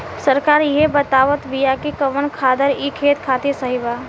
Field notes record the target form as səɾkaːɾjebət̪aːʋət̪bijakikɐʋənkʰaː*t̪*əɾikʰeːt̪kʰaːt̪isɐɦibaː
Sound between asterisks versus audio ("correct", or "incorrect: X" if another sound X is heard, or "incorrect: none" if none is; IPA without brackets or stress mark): incorrect: d̪